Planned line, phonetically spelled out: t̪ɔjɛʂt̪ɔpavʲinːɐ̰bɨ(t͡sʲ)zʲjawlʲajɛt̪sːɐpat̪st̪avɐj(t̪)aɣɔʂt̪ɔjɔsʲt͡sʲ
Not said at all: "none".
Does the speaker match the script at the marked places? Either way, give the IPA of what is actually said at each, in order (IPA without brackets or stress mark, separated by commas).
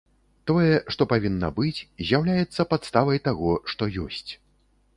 t͡sʲ, t̪